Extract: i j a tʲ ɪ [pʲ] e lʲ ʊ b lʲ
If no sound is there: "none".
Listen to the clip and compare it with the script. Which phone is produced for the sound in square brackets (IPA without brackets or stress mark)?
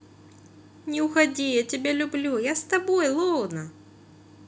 bʲ